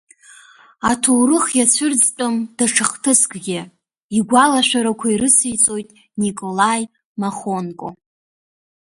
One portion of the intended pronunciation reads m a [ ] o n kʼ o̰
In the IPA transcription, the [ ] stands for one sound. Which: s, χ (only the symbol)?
χ